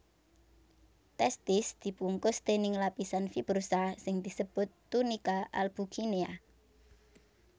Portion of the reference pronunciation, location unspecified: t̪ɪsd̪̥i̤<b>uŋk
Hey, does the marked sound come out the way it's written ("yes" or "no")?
no